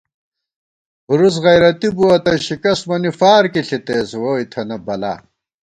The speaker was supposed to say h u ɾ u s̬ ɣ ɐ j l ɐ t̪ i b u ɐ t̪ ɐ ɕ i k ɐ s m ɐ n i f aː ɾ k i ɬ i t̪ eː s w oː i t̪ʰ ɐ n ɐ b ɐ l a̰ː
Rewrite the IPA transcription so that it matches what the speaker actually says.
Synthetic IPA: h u ɾ u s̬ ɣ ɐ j ɾ ɐ t̪ i b u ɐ t̪ ɐ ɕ i k ɐ s m ɐ n i f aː ɾ k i ɬ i t̪ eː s w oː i t̪ʰ ɐ n ɐ b ɐ l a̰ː